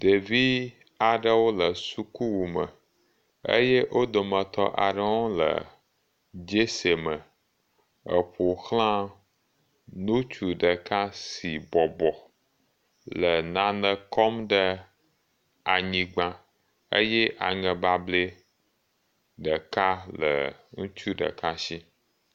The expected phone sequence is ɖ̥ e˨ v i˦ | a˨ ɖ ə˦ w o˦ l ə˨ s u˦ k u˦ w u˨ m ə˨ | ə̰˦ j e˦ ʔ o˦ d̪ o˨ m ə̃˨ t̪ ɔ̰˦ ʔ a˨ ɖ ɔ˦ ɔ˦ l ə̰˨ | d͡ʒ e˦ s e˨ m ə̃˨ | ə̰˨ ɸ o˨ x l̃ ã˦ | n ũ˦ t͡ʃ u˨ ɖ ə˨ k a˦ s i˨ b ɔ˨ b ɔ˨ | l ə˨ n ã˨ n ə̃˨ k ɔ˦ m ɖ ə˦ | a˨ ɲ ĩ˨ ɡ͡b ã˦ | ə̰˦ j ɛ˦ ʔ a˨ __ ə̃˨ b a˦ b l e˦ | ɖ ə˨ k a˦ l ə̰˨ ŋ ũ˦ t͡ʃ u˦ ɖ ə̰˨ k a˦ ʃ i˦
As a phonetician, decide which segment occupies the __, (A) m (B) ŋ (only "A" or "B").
B